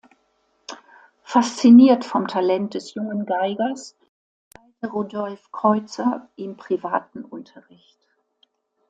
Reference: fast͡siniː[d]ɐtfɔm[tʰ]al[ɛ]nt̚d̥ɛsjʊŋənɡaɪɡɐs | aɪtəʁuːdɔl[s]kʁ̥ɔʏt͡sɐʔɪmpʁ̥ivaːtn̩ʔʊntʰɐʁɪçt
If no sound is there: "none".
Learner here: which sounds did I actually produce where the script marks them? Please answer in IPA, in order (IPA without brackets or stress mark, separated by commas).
none, tʰ, ɛ, f